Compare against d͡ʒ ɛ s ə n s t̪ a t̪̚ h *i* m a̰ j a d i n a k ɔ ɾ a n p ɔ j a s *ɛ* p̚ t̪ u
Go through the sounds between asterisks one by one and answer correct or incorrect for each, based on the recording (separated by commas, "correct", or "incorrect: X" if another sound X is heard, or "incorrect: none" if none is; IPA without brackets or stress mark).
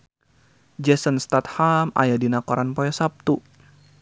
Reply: incorrect: a, incorrect: a